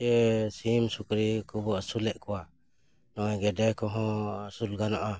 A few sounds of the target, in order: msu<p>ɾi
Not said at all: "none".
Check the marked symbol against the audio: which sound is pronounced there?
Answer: k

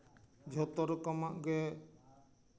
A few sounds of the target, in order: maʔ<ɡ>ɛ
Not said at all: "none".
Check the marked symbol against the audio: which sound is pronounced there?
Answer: ɡ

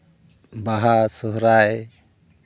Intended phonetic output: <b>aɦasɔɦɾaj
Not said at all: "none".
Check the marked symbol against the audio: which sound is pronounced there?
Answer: b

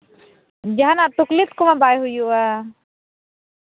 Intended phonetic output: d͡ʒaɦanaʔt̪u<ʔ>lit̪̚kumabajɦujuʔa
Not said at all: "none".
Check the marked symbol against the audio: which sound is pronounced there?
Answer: k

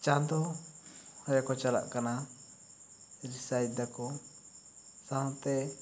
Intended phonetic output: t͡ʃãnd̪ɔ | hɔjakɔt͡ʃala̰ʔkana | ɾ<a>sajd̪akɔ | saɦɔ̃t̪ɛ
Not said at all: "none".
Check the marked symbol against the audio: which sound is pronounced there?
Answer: i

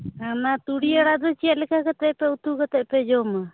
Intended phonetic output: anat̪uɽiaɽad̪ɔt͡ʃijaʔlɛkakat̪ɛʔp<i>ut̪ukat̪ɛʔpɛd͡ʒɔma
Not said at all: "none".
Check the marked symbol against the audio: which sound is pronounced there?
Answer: ɛ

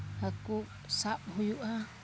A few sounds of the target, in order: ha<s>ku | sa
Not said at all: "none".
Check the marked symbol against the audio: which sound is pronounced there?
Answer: none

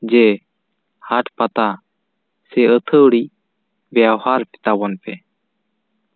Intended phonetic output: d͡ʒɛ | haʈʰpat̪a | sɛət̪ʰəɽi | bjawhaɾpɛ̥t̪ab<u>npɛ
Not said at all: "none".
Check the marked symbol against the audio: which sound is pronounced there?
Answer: ɔ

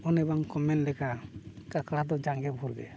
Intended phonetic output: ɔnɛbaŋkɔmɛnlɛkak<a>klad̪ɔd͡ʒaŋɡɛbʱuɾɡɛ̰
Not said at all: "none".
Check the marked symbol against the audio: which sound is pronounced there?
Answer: a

